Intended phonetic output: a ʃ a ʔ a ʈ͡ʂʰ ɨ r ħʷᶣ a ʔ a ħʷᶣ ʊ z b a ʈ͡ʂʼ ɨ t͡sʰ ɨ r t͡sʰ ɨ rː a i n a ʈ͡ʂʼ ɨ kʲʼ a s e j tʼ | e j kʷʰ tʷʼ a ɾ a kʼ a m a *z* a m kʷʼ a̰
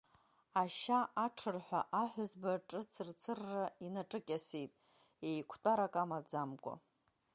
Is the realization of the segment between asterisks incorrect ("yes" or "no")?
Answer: yes